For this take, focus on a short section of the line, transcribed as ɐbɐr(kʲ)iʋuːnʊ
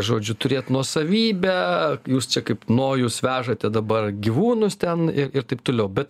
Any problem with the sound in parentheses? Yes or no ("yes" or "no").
yes